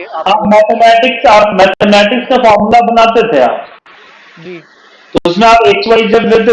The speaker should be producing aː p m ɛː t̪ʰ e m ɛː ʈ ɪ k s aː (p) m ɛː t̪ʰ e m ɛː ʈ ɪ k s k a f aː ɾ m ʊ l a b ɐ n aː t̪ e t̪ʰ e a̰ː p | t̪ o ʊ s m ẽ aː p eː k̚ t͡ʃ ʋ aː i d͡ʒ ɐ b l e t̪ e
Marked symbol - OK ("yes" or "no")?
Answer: yes